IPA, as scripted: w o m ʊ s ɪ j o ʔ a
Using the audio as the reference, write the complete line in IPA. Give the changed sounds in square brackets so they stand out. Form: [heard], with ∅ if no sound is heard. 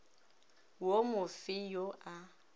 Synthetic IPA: w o m ʊ [f] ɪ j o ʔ a